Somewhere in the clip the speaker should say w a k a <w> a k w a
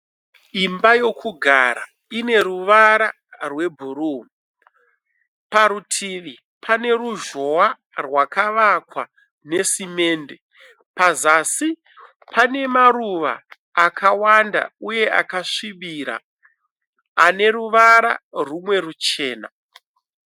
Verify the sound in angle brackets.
incorrect: ʋ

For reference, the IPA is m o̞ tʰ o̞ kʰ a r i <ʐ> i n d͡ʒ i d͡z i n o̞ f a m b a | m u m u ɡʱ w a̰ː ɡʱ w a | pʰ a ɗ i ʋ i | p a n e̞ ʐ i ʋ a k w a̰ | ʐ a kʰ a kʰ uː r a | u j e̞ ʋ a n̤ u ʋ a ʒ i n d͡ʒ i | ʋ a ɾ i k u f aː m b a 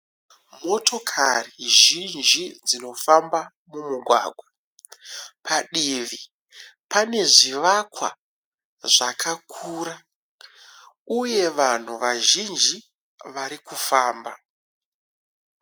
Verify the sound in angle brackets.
incorrect: ʒ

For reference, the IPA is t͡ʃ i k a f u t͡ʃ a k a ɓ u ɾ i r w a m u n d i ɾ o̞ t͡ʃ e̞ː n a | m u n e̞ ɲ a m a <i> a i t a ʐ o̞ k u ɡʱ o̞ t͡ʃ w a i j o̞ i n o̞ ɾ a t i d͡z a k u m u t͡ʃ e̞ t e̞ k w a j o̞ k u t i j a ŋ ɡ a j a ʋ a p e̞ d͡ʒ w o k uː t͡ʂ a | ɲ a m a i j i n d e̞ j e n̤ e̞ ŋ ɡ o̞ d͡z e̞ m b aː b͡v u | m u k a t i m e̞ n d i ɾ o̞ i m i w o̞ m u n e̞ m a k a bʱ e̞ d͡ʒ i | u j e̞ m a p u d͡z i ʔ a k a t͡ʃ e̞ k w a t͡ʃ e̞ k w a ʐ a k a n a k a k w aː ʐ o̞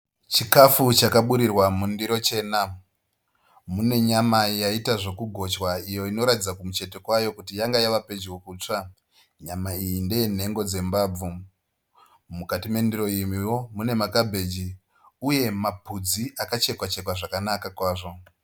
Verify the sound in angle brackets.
incorrect: j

